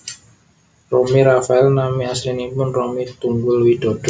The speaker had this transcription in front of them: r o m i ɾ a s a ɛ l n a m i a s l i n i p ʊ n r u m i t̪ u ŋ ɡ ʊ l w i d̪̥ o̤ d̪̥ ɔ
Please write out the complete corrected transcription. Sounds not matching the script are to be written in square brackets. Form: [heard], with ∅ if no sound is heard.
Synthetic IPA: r o m i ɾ a [f] a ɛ l n a m i a s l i n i p ʊ n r [o] m i t̪ u ŋ ɡ ʊ l w i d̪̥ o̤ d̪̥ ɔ

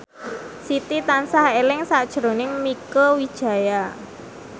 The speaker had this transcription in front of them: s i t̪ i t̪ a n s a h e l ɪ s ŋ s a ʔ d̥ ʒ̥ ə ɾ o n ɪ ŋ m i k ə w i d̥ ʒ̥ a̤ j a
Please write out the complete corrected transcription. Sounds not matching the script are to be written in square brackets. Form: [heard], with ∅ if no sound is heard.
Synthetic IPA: s i t̪ i t̪ a n s a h e l ɪ [∅] ŋ s a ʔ d̥ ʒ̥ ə ɾ o n ɪ ŋ m i k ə w i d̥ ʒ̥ a̤ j a

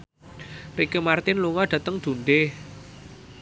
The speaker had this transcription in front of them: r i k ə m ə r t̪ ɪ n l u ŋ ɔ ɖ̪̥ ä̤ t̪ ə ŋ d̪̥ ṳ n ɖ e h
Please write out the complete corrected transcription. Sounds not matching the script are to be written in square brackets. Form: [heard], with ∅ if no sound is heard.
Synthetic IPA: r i k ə m [a] r t̪ ɪ n l u ŋ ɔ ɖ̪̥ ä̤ t̪ ə ŋ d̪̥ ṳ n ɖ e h

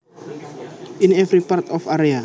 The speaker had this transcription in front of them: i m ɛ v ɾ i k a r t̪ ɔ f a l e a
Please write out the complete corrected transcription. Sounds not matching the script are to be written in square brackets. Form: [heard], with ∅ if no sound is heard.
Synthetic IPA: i [n] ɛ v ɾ i [p] a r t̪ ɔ f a [ɾ] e a

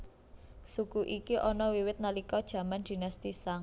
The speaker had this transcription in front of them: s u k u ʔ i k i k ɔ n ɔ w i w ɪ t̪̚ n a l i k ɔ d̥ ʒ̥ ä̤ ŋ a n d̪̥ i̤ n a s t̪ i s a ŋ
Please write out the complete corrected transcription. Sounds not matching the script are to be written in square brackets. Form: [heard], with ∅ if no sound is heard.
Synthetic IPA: s u k u ʔ i k i [ʔ] ɔ n ɔ w i w ɪ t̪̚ n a l i k ɔ d̥ ʒ̥ ä̤ [m] a n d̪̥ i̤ n a s t̪ i s a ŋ

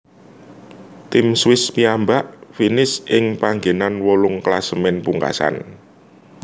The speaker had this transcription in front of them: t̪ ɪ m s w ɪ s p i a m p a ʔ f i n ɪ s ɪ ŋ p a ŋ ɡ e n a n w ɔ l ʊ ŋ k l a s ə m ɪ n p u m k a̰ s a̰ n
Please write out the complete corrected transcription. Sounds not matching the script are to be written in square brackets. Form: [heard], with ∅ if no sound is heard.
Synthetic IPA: t̪ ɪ m s w ɪ s p i a m [b] a ʔ f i n ɪ s ɪ ŋ p a ŋ ɡ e n a n w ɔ l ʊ ŋ k l a s ə m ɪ n p u [ŋ] k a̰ s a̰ n

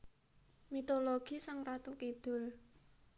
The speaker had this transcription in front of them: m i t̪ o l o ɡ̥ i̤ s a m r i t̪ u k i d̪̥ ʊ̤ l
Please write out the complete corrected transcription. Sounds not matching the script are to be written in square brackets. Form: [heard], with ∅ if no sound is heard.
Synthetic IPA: m i t̪ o l o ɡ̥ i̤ s a [ŋ] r [a] t̪ u k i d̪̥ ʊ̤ l

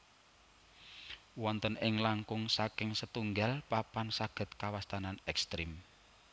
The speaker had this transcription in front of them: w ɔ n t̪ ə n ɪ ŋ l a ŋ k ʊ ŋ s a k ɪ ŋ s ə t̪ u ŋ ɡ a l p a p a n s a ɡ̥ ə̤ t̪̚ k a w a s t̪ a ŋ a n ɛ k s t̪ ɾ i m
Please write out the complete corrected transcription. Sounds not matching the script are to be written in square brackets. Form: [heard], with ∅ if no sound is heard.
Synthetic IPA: w ɔ n t̪ ə n ɪ ŋ l a ŋ k ʊ ŋ s a k ɪ ŋ s ə t̪ u ŋ ɡ a l p a p a n s a ɡ̥ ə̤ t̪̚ k a w a s t̪ a [n] a n ɛ k s t̪ ɾ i m

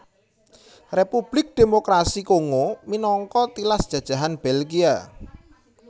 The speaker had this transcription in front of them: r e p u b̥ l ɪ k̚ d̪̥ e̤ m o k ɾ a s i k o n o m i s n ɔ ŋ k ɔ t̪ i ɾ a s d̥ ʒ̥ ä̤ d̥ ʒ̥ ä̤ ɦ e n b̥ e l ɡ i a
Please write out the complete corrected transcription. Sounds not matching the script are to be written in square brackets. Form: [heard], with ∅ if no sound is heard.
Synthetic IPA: r e p u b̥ l ɪ k̚ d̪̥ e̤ m o k ɾ a s i k o [ŋ] o m i [∅] n ɔ ŋ k ɔ t̪ i [l] a s d̥ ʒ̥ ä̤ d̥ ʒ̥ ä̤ ɦ [a] n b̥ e l ɡ i a

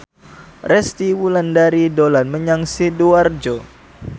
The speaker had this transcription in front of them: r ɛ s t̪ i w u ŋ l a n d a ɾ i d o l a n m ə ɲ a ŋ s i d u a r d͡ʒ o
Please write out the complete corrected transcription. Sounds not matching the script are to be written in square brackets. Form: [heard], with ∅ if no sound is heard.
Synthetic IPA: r ɛ s t̪ i w u [∅] l a n d a ɾ i d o l a n m ə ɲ a ŋ s i d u a r d͡ʒ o

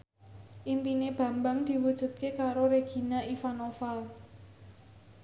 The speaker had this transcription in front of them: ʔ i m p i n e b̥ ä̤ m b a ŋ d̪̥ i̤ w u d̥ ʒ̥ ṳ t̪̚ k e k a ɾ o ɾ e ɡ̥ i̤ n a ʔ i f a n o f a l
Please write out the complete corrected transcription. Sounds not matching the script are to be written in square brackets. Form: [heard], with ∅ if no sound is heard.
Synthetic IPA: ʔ i m p i n e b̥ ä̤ m b a ŋ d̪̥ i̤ w u d̥ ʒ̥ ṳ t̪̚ k e k a ɾ o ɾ e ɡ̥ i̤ n a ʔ i f a n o f a l

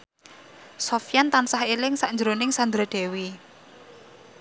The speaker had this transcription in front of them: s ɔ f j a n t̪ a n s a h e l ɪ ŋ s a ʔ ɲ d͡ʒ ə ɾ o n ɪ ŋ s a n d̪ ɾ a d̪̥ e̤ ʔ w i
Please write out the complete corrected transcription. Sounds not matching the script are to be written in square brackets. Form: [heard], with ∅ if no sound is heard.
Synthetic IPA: s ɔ f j a n t̪ a n s a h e l ɪ ŋ s a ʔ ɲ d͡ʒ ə ɾ o n ɪ ŋ s a n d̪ ɾ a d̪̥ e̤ [∅] w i

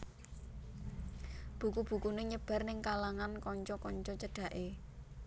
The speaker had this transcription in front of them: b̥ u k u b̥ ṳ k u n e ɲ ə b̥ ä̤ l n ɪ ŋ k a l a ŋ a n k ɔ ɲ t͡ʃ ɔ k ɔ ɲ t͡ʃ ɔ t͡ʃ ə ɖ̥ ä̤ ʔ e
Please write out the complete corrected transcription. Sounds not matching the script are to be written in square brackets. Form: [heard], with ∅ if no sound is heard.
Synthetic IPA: b̥ u k u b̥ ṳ k u n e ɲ ə b̥ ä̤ [r] n ɪ ŋ k a l a ŋ a n k ɔ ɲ t͡ʃ ɔ k ɔ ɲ t͡ʃ ɔ t͡ʃ ə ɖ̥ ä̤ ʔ e

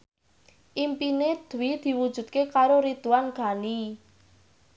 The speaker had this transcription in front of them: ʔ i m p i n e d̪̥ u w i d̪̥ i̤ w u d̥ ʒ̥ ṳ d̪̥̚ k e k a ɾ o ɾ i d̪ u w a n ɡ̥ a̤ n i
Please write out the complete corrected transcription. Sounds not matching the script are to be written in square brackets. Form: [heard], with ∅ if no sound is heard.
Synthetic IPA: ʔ i m p i n e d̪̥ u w i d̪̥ i̤ w u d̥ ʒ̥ ṳ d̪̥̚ k e k a ɾ o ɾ i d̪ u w a n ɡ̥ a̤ n i

